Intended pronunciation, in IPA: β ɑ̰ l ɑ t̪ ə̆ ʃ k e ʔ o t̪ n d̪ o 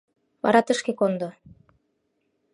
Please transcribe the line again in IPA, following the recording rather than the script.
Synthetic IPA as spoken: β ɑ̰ ɾ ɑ t̪ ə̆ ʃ k e k o n d̪ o